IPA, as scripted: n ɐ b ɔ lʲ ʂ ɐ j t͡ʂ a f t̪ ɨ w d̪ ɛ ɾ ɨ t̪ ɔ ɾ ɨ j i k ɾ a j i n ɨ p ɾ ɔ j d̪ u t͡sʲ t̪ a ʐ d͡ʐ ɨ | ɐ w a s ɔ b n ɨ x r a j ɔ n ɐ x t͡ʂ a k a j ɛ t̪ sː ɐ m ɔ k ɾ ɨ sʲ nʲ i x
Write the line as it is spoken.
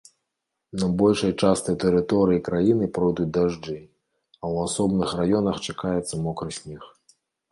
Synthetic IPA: n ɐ b ɔ lʲ ʂ ɐ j t͡ʂ a s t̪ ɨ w t̪ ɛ ɾ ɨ t̪ ɔ ɾ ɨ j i k ɾ a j i n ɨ p ɾ ɔ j d̪ u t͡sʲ d̪ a ʐ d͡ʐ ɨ | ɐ w a s ɔ b n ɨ x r a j ɔ n ɐ x t͡ʂ a k a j ɛ t̪ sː ɐ m ɔ k ɾ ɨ sʲ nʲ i x